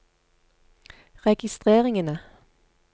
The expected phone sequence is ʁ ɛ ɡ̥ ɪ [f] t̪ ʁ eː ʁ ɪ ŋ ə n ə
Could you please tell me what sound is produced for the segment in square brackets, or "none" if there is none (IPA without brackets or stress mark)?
s